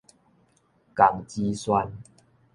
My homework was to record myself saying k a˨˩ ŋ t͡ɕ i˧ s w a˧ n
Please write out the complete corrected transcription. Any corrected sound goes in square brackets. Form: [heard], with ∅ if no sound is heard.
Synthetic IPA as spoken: k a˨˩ ŋ t͡ɕ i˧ s w a˧ n